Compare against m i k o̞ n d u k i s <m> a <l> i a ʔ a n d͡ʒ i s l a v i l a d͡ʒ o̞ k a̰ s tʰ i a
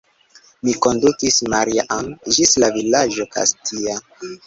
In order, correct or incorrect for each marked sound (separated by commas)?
correct, incorrect